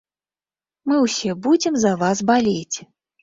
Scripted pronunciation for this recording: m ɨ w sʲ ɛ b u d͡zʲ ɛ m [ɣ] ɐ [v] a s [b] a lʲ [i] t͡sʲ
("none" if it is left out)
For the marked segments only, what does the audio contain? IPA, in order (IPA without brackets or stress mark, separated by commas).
z, v, b, e